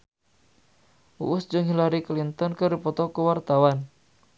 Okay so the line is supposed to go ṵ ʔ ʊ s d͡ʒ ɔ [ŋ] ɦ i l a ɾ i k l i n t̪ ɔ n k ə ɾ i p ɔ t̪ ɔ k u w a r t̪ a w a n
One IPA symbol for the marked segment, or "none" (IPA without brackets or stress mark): ŋ